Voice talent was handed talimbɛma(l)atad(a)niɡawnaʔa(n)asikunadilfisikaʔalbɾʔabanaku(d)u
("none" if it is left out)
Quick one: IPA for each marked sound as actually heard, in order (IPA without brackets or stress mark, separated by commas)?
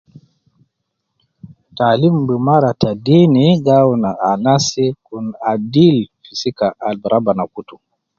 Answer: ɾ, i, n, t